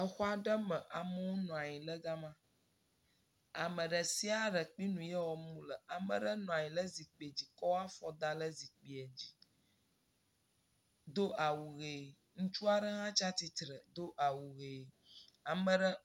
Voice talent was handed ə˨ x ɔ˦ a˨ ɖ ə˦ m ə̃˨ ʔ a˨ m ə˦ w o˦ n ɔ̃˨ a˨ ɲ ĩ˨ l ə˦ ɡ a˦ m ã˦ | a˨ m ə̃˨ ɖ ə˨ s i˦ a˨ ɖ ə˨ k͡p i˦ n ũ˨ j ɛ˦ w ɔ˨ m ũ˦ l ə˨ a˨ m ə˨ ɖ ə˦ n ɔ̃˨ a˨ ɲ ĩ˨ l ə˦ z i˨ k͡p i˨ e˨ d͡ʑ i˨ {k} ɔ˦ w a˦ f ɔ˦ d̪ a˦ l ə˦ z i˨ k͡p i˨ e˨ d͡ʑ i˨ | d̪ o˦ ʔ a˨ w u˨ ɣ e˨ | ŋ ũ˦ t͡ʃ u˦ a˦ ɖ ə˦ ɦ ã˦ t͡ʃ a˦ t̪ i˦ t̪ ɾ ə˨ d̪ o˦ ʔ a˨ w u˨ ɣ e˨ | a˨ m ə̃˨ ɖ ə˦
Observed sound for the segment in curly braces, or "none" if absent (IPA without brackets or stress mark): k